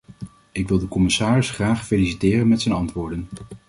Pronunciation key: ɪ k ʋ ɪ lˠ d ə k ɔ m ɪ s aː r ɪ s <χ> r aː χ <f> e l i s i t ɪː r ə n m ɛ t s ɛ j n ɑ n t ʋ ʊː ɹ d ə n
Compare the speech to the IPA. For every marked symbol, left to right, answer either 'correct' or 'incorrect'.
correct, correct

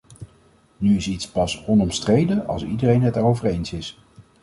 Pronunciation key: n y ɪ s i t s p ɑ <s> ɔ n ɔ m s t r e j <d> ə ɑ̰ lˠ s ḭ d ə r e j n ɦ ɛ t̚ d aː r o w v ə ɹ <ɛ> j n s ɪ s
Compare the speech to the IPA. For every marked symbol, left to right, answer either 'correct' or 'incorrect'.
correct, correct, incorrect: e

